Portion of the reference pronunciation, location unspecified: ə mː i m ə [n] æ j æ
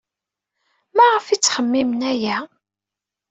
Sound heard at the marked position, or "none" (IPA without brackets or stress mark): n